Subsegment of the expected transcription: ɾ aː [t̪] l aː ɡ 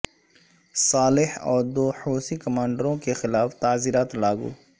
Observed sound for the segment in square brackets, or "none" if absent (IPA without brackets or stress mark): t̪